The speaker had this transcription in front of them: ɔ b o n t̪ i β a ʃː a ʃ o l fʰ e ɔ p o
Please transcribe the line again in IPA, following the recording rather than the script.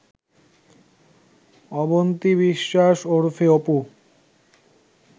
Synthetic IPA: ɔ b o n t̪ i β i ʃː a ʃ o ɾ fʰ e o p u

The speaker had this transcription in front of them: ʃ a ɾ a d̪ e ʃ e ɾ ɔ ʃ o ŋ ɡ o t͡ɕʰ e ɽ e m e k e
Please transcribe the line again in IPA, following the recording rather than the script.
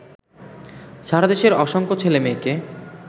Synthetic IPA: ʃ a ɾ a d̪ e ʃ e ɾ ɔ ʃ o ŋ k o t͡ɕʰ e l e m e k e

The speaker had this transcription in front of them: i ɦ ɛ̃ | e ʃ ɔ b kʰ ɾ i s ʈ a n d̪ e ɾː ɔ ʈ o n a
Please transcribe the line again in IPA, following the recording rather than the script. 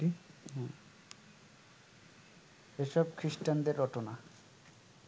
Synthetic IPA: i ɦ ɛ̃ | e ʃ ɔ b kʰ ɾ i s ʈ a n d̪ e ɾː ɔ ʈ o n a

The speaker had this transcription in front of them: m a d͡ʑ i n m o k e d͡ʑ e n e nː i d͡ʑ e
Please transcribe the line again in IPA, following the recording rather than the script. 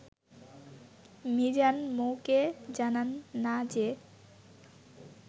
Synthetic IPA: m i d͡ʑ a n m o k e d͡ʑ a n a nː a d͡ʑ e

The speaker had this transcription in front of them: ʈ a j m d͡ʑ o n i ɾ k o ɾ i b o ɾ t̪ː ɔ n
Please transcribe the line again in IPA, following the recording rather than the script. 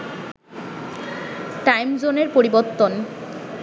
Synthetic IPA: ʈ a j m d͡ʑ o n e ɾ p o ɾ i b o ɾ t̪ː o n

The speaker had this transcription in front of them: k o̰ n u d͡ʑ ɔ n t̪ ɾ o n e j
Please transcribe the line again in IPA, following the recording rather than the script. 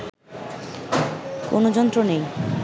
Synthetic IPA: k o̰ n o d͡ʑ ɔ n t̪ ɾ o n e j

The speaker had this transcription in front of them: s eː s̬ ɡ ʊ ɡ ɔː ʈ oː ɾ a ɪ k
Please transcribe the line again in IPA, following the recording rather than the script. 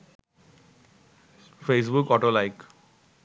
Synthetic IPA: f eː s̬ b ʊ k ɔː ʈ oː l a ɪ k

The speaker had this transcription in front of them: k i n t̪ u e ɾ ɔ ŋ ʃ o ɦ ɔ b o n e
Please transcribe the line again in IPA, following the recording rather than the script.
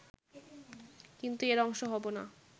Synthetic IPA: k i n t̪ u e ɾ ɔ ŋ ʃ o ɦ ɔ b o n a

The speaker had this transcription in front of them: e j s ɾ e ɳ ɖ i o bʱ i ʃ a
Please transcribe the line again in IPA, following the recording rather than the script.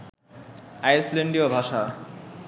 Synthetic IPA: a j s l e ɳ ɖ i o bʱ a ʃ a

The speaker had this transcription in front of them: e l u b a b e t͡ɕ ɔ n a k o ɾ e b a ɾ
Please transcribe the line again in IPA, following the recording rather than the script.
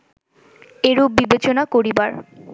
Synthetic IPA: e ɾ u b i b e t͡ɕ o n a k o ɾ i b a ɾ

